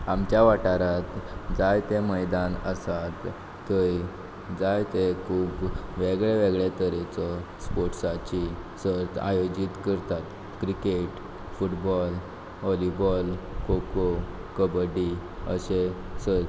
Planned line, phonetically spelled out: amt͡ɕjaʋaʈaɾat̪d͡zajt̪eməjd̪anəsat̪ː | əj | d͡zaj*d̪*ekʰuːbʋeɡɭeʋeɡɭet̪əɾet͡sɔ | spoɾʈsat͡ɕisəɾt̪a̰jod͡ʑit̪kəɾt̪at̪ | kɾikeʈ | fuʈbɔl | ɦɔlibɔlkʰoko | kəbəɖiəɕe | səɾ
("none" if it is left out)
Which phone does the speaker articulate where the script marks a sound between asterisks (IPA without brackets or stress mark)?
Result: t̪